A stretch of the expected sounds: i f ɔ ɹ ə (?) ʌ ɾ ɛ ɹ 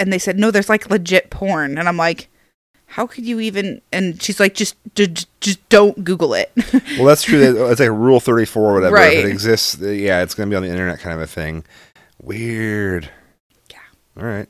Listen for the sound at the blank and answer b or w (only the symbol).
w